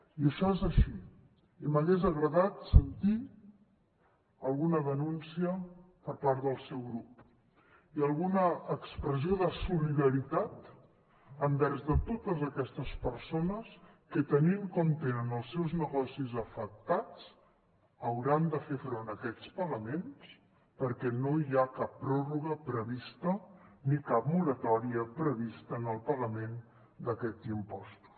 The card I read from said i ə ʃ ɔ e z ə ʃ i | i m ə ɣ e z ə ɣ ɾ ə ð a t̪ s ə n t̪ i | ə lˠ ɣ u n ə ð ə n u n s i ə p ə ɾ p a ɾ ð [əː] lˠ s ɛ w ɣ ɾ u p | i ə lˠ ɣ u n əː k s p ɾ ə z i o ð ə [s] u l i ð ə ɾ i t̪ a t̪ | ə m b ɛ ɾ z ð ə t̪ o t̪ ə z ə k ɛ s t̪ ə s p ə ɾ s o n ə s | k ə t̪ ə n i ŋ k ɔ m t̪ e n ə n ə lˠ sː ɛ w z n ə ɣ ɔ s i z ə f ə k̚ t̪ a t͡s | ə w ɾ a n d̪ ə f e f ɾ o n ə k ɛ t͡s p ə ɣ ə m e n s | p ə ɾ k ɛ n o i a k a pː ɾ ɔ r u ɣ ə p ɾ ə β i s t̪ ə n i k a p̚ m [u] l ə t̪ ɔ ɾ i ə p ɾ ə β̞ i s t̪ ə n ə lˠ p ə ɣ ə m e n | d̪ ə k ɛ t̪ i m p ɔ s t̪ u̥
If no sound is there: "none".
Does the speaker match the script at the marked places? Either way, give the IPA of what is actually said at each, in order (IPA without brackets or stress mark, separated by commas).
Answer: ə, s, u